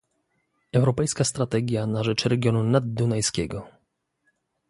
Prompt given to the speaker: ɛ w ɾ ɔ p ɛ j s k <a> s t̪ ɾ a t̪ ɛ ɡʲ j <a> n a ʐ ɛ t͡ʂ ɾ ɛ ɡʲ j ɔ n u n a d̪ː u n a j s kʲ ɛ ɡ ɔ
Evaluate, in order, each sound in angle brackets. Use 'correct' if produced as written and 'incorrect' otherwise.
correct, correct

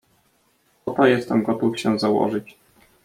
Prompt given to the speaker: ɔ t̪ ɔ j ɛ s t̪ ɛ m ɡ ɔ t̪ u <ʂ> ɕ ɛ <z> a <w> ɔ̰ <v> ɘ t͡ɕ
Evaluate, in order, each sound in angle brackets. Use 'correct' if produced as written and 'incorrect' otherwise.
incorrect, correct, correct, incorrect

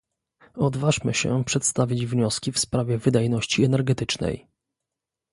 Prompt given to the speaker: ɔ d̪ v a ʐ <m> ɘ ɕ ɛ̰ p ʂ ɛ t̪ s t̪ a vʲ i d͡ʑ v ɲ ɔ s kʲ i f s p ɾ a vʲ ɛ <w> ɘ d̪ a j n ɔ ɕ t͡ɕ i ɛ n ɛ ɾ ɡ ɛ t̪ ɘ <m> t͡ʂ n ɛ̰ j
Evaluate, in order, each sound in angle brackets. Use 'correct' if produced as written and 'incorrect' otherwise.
correct, incorrect, incorrect

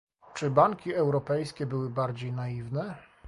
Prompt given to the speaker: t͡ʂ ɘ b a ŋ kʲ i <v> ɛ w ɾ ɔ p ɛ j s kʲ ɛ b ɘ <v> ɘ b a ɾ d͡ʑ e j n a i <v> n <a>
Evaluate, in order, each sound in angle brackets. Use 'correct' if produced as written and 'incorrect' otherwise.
incorrect, incorrect, correct, incorrect

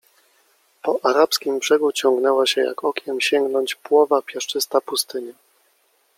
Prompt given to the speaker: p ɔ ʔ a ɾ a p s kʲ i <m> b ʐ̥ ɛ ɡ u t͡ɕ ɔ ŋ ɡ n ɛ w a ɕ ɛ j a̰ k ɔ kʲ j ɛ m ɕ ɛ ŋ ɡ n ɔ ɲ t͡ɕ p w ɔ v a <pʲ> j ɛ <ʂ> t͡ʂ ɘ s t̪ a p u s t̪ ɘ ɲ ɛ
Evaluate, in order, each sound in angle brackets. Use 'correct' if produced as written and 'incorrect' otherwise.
correct, correct, correct

